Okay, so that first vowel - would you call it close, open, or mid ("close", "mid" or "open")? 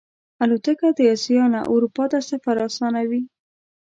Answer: open